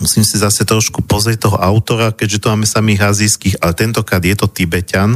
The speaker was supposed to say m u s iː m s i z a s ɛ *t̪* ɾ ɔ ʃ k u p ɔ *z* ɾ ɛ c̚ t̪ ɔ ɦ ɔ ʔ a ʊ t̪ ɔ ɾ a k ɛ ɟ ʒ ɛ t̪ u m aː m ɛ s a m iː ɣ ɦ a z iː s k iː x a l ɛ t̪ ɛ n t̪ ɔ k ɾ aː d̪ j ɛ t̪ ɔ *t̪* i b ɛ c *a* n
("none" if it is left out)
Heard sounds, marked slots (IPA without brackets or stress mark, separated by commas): t̪, z, t̪, a